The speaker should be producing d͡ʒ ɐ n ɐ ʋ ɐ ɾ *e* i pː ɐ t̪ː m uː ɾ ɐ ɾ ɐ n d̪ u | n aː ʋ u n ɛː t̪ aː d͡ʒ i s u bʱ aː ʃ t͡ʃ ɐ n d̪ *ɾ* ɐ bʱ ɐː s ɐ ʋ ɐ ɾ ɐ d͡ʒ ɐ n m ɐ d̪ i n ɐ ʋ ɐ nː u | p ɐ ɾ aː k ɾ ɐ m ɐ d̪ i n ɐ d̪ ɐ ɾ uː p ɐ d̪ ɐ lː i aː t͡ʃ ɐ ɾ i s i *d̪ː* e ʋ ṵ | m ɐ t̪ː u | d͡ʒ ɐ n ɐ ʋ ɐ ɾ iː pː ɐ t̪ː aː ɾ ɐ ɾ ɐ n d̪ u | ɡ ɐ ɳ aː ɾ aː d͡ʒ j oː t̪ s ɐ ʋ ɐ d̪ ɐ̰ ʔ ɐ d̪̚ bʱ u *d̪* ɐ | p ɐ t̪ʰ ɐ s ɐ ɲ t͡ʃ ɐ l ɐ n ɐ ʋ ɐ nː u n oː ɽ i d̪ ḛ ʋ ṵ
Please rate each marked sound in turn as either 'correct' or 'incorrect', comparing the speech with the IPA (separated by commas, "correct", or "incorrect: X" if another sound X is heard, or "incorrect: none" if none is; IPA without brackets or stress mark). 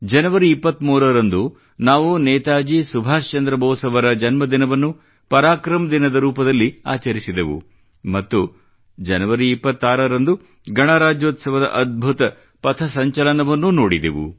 incorrect: i, correct, incorrect: d̪, incorrect: t̪